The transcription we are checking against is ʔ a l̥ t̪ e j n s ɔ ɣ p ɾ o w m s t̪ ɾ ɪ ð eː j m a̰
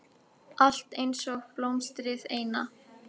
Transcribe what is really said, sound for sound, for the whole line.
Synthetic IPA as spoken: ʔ a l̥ t̪ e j n s ɔ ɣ p l o w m s t̪ ɾ ɪ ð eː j n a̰